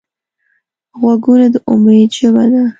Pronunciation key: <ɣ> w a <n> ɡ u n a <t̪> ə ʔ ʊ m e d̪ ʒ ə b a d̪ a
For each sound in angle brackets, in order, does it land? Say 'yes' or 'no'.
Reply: yes, no, no

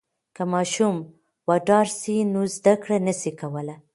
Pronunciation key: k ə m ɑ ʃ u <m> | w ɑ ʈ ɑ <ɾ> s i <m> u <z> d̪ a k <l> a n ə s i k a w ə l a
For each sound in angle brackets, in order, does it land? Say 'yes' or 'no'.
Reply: yes, yes, no, yes, no

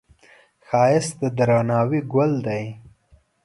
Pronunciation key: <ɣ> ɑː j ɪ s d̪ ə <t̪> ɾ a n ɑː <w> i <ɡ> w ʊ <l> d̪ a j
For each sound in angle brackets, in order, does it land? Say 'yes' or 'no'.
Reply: no, no, yes, yes, yes

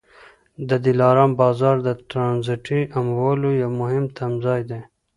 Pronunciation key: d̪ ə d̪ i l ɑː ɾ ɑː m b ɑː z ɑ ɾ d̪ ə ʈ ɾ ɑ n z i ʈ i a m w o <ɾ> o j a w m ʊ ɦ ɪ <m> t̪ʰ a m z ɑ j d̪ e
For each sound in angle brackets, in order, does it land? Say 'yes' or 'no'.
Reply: no, yes

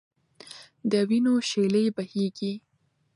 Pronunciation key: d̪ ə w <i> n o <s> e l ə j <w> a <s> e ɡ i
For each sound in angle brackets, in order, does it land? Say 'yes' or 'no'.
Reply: yes, no, no, no

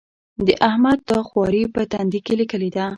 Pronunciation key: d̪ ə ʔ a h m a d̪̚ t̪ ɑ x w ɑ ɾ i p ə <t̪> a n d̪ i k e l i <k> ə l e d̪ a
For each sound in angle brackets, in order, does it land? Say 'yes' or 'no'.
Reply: yes, yes

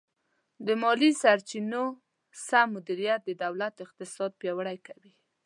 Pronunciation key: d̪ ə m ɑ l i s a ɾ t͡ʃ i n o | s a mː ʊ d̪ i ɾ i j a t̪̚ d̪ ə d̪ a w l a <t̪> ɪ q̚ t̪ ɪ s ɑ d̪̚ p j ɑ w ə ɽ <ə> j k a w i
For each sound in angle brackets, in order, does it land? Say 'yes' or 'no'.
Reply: yes, no

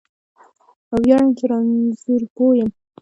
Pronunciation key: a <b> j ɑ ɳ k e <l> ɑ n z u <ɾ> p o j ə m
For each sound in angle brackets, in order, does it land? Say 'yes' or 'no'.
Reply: no, no, yes

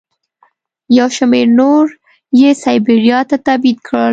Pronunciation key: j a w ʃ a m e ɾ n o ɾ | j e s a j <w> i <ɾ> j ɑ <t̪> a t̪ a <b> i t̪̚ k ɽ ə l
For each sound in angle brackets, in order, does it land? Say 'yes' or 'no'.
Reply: no, yes, yes, yes

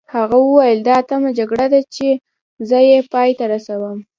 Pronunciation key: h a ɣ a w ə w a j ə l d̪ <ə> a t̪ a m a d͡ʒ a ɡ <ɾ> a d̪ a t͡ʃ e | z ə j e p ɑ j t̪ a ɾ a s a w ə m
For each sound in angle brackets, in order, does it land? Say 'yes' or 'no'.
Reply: no, no

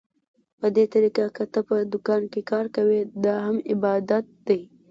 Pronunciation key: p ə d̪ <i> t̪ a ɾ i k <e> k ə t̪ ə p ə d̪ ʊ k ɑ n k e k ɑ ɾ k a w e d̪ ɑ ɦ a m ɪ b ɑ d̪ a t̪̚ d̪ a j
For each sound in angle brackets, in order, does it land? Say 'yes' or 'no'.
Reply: no, no

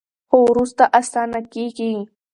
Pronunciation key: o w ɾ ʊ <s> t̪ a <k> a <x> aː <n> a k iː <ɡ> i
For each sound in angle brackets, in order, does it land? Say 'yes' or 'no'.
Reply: yes, no, no, yes, no

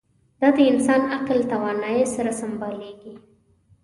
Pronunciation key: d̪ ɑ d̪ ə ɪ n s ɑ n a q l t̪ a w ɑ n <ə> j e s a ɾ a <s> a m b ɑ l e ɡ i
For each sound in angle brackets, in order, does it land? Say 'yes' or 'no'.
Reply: no, yes

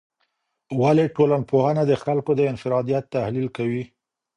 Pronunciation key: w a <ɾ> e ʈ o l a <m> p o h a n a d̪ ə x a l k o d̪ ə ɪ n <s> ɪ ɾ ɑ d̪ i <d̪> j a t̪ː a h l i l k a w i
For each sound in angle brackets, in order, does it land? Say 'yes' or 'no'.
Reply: no, no, no, no

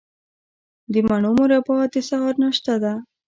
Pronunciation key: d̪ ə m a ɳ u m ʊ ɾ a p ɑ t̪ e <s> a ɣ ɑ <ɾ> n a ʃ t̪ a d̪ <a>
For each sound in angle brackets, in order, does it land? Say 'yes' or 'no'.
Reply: yes, yes, yes

